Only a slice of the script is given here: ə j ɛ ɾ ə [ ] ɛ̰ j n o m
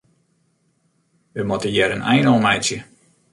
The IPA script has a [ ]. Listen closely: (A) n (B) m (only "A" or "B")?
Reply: A